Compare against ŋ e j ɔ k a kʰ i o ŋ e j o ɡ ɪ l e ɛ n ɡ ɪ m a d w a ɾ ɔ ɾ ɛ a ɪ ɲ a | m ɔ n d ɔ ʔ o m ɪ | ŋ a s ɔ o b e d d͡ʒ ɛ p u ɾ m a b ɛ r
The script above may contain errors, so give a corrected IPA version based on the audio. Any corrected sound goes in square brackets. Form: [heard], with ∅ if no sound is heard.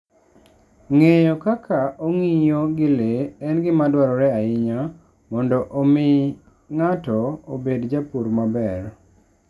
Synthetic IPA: ŋ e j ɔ k a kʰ [a] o ŋ [i] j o ɡ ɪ l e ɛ n ɡ ɪ m a d w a ɾ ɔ ɾ ɛ a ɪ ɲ a | m ɔ n d ɔ ʔ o m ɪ | ŋ a [t] ɔ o b e d d͡ʒ [a] p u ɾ m a b ɛ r